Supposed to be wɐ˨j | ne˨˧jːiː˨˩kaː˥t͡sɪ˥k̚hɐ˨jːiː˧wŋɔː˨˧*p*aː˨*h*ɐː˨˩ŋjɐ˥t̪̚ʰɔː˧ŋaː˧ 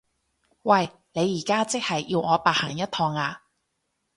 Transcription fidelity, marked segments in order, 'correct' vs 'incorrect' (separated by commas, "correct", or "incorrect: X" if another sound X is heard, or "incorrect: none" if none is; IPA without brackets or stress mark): correct, correct